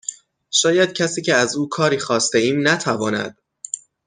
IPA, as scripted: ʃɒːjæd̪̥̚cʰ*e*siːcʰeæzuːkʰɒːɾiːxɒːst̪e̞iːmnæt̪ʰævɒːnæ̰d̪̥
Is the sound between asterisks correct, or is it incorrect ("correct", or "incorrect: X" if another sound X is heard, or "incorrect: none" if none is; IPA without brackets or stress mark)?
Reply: incorrect: æ